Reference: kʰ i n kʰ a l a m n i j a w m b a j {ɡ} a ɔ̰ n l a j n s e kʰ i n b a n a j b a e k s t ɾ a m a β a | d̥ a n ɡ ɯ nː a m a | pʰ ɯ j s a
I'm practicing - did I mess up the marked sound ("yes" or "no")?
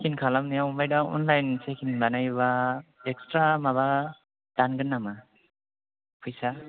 yes